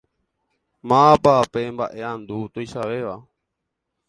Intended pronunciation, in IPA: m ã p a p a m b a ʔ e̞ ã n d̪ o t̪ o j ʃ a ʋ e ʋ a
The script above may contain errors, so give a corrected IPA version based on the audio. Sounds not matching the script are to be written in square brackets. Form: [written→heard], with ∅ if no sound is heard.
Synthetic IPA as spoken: m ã p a p [a→e] m b a ʔ e̞ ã n d̪ [o→u] t̪ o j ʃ a ʋ e ʋ a